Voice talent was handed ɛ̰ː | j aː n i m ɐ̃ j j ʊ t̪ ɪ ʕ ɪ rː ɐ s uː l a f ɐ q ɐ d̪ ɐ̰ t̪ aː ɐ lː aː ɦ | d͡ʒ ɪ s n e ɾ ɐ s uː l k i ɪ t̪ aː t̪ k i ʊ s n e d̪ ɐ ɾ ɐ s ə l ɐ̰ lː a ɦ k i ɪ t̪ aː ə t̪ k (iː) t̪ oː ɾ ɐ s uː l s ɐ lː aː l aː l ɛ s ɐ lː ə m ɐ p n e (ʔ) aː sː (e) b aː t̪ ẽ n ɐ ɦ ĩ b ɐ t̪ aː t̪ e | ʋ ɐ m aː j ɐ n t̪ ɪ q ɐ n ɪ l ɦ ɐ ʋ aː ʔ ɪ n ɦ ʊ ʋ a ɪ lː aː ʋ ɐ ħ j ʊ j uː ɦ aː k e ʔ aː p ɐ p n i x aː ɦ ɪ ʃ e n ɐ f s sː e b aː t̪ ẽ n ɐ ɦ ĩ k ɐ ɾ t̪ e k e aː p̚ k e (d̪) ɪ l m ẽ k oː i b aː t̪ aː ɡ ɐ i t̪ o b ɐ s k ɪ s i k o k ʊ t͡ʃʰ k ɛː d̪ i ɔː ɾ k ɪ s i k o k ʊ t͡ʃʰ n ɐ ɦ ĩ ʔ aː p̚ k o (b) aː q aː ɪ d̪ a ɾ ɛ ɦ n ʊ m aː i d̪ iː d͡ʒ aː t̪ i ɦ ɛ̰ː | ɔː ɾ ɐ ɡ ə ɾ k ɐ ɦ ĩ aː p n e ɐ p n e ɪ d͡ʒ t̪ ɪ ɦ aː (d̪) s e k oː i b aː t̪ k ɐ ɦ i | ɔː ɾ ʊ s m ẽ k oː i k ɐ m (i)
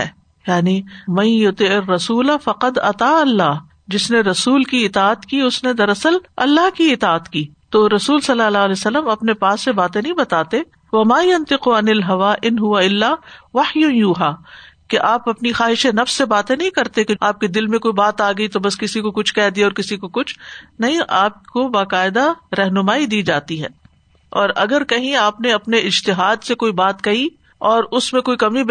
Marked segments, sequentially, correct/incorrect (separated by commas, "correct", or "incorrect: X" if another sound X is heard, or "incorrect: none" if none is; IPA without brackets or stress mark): correct, incorrect: p, correct, correct, correct, correct, correct